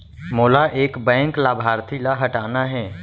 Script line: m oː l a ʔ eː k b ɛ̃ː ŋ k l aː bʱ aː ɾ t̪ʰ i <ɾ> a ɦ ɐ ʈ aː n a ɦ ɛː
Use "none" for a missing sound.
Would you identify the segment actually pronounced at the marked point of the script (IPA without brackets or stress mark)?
l